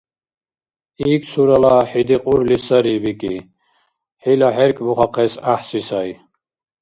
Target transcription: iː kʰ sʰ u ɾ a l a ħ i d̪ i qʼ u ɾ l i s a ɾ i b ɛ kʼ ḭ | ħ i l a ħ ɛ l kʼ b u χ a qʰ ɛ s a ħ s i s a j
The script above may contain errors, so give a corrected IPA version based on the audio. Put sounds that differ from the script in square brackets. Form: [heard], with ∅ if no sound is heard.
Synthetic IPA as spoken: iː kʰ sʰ u ɾ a l a ħ i d̪ i qʼ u ɾ l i s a ɾ i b [i] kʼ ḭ | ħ i l a ħ ɛ [ɾ] kʼ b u χ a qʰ ɛ s a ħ s i s a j